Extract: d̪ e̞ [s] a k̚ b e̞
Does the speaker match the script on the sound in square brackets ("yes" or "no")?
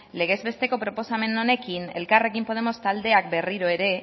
no